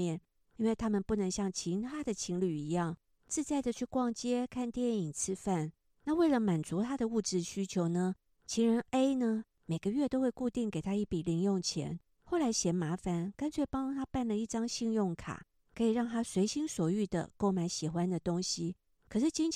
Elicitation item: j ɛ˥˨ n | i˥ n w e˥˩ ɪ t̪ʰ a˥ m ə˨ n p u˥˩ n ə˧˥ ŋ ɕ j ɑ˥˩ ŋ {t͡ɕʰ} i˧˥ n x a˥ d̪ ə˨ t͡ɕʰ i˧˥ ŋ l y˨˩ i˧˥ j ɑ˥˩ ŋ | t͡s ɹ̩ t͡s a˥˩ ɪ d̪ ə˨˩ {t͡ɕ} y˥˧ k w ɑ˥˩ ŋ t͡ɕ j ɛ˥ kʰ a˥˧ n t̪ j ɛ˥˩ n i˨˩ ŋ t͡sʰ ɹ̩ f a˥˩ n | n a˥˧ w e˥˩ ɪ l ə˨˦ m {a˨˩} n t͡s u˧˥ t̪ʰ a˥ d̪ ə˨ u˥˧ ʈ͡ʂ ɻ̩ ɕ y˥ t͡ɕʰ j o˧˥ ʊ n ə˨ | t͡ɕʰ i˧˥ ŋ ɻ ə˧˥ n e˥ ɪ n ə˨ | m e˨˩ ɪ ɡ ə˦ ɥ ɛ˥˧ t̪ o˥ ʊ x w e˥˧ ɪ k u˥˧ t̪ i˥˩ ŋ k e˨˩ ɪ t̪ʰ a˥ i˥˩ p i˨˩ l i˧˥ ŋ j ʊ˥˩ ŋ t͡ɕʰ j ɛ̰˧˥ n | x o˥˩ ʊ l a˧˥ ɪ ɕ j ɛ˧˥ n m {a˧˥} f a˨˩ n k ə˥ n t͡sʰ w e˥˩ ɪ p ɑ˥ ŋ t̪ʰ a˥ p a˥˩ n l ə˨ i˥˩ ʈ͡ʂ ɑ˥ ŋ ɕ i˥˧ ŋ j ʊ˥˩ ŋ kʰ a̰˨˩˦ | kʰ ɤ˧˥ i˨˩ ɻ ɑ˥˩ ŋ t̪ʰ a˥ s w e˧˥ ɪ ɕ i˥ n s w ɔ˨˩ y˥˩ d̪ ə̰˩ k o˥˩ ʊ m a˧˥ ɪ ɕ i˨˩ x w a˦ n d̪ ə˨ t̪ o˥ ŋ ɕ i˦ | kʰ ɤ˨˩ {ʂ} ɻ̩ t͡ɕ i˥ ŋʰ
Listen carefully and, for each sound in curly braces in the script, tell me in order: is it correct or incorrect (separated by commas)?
correct, incorrect, correct, correct, correct